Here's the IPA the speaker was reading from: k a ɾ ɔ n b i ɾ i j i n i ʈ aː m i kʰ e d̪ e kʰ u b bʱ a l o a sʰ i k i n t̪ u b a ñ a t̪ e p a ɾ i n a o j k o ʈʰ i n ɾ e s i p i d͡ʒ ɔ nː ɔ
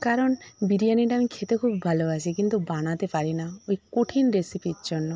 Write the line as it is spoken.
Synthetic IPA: k a ɾ ɔ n b i ɾ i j a n i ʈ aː m i kʰ e t̪ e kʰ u b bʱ a l o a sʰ i k i n t̪ u b a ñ a t̪ e p a ɾ i n a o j k o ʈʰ i n ɾ e s i p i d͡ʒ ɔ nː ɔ